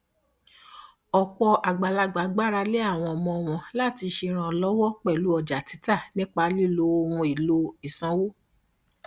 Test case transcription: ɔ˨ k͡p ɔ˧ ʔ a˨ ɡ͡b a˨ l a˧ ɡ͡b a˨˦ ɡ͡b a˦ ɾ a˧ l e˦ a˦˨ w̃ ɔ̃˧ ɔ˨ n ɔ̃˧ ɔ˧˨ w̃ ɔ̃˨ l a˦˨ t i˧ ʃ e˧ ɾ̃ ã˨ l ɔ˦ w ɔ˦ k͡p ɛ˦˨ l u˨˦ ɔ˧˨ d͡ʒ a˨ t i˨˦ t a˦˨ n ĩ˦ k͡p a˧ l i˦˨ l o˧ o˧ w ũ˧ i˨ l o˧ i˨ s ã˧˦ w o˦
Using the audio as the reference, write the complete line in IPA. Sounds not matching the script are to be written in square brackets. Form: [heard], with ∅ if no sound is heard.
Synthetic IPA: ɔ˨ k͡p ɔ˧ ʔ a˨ ɡ͡b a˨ l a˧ ɡ͡b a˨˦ ɡ͡b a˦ ɾ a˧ l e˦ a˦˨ w̃ ɔ̃˧ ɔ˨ [m] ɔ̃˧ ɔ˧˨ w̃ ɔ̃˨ l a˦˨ t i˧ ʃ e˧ ɾ̃ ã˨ l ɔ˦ w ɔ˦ k͡p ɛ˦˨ l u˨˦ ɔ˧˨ d͡ʒ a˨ t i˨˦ t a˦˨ n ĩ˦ k͡p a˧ l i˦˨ l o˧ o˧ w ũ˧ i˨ l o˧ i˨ s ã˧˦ w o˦